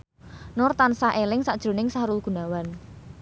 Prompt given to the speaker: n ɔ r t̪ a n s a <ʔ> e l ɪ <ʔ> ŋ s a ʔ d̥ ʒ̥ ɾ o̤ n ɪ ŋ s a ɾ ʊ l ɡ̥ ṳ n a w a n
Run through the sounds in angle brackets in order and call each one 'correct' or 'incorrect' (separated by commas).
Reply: correct, incorrect